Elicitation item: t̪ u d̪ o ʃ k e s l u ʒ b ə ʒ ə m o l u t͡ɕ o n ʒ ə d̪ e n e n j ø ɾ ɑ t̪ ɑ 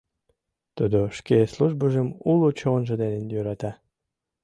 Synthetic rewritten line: t̪ u d̪ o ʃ k e s l u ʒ b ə ʒ ə m u l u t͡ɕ o n ʒ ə d̪ e n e n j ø ɾ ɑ t̪ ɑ